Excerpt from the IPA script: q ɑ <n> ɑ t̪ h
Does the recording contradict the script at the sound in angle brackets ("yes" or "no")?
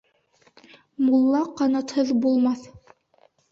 no